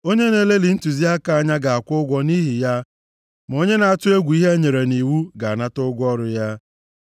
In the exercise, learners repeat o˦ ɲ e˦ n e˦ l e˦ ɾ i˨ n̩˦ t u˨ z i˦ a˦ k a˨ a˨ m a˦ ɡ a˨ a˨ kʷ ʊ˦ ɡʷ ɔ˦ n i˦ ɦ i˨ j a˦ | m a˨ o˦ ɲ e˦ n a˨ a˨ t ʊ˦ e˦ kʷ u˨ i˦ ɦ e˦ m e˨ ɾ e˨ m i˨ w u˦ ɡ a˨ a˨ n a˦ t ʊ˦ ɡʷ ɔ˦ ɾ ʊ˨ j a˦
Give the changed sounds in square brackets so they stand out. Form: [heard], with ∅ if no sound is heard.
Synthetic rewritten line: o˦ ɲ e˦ n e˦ l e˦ [l] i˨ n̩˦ t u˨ z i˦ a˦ k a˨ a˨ [ɲ] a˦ ɡ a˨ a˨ kʷ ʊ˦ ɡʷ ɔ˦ n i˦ ɦ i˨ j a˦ | m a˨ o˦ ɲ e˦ n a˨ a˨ t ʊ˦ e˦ [ɡʷ] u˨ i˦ ɦ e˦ [ɲ] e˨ ɾ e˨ [n] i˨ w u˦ ɡ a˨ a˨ n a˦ t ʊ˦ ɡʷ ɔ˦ ɾ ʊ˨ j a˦

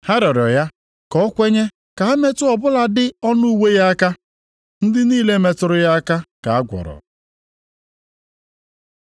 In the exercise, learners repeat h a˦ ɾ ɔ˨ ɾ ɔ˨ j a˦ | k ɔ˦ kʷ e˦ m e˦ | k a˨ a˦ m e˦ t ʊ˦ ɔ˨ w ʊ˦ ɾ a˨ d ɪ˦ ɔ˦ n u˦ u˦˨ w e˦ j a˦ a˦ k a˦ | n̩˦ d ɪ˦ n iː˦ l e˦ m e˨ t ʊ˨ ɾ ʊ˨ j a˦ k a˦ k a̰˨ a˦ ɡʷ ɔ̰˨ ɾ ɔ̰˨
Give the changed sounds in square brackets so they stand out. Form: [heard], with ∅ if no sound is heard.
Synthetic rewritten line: h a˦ ɾ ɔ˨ ɾ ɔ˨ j a˦ | k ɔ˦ kʷ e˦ [ɲ] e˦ | k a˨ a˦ m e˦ t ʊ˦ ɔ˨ [b] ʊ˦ [l] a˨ d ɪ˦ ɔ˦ n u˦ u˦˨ w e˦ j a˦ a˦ k a˦ | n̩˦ d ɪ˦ n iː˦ l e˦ m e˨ t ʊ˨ ɾ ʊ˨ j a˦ k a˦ k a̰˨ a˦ ɡʷ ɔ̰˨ ɾ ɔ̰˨

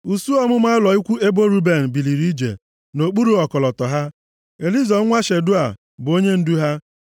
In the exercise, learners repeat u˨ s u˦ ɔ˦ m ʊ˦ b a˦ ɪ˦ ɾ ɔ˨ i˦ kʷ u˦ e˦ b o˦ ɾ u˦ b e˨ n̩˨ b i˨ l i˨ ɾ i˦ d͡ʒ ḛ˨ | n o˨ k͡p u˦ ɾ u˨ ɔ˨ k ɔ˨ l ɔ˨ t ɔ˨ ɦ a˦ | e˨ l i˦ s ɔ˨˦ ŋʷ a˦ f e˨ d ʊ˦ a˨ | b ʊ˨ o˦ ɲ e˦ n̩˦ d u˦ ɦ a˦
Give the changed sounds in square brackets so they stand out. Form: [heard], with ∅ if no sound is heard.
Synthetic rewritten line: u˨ s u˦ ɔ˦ m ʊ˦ [m] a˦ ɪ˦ [l] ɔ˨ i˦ kʷ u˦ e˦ b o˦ ɾ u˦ b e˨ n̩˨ b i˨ l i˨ ɾ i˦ d͡ʒ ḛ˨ | n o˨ k͡p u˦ ɾ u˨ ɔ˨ k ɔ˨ l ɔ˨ t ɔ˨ ɦ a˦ | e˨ l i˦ [z] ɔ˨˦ ŋʷ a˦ [ʃ] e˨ d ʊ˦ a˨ | b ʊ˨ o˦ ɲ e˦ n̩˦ d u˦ ɦ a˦

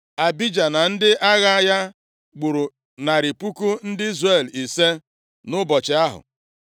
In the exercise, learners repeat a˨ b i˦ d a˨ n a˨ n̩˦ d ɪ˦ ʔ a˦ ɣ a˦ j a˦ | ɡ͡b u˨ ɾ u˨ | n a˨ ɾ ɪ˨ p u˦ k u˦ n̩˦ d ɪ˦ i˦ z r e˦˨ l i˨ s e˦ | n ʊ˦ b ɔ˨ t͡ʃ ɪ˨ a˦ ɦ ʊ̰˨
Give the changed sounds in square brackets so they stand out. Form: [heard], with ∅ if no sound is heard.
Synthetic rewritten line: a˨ b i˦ [d͡ʒ] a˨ n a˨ n̩˦ d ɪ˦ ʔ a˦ ɣ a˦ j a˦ | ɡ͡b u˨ ɾ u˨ | n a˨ ɾ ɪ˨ p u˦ k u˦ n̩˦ d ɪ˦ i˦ z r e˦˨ l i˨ s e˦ | n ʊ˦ b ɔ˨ t͡ʃ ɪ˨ a˦ ɦ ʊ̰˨

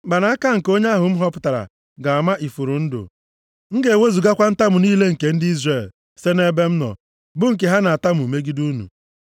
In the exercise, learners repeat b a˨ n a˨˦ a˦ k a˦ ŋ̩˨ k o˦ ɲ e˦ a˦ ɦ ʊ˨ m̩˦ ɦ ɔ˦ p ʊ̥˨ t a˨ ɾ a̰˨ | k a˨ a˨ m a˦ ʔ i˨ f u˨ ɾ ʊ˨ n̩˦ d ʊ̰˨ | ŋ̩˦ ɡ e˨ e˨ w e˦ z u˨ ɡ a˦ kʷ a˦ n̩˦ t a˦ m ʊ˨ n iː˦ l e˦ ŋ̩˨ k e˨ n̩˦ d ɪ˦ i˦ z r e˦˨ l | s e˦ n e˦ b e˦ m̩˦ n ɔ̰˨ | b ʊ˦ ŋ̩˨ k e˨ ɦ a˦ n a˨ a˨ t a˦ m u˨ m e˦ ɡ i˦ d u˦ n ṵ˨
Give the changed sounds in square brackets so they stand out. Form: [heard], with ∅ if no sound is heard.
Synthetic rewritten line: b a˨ n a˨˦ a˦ k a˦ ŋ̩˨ k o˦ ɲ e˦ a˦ ɦ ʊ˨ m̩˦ ɦ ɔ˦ p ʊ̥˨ t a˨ ɾ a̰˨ | [ɡ] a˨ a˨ m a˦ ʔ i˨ f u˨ ɾ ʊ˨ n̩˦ d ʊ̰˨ | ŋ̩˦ ɡ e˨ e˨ w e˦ z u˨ ɡ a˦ kʷ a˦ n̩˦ t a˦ m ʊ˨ n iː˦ l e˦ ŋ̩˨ k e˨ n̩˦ d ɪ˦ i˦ z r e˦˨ l | s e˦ n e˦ b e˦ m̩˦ n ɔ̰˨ | b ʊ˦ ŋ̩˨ k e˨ ɦ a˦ n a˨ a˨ t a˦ m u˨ m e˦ ɡ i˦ d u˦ n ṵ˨

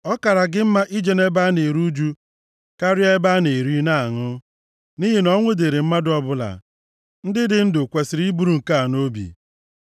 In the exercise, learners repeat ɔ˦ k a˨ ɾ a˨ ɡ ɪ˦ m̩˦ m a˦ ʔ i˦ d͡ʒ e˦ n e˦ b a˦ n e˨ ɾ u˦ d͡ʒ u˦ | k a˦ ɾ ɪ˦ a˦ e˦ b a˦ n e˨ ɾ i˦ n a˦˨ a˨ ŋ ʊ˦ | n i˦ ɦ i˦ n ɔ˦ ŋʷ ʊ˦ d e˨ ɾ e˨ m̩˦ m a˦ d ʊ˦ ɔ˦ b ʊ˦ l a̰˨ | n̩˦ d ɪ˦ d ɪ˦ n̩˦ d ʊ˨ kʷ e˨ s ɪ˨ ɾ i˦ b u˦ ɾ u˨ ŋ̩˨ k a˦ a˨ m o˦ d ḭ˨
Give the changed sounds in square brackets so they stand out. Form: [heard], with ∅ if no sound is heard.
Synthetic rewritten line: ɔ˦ k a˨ ɾ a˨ ɡ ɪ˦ m̩˦ m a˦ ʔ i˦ d͡ʒ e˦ n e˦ b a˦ n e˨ ɾ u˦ d͡ʒ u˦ | k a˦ ɾ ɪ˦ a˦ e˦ b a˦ n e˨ ɾ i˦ n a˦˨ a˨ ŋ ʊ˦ | n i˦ ɦ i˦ n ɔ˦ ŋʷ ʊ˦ d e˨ ɾ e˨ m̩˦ m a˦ d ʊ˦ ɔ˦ b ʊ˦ l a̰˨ | n̩˦ d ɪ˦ d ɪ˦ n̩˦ d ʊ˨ kʷ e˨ s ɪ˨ ɾ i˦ b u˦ ɾ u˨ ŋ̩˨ k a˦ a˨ [n] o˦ [b] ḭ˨

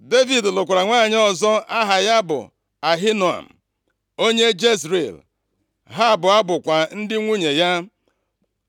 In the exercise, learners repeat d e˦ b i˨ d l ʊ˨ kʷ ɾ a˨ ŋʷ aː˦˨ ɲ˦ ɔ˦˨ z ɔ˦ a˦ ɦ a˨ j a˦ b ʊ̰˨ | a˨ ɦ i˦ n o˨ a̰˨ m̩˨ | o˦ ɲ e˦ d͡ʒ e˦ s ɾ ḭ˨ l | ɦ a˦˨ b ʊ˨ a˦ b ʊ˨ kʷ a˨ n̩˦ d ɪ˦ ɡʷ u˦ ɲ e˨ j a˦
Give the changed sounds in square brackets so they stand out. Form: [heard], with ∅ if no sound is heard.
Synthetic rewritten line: d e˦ [v] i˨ d l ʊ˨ kʷ ɾ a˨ ŋʷ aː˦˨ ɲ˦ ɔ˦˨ z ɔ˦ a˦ ɦ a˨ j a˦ b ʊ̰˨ | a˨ ɦ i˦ n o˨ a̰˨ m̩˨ | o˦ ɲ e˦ d͡ʒ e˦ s ɾ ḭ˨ l | ɦ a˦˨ b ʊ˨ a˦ b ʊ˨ kʷ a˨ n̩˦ d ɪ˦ [ŋʷ] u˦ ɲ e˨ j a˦

